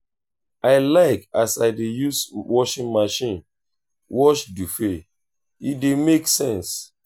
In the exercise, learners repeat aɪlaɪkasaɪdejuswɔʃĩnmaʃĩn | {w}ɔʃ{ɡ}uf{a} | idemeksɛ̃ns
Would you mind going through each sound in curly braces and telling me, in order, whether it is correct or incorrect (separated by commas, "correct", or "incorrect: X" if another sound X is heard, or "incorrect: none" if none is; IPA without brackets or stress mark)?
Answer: correct, incorrect: d, incorrect: e